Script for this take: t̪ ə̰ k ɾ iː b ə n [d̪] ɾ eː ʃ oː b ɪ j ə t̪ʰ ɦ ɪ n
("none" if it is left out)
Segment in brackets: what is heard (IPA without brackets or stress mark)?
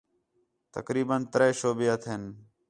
t̪